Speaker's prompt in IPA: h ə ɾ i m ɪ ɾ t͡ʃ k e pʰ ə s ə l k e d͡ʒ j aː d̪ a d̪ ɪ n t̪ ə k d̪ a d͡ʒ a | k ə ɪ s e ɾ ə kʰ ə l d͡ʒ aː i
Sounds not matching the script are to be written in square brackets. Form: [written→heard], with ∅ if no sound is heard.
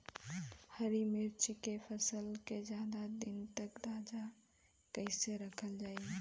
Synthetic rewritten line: h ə ɾ i m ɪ ɾ t͡ʃ k e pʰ ə s ə l k e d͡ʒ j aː d̪ a d̪ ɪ n t̪ ə k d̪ a d͡ʒ a | k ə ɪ s e ɾ ə kʰ ə l d͡ʒ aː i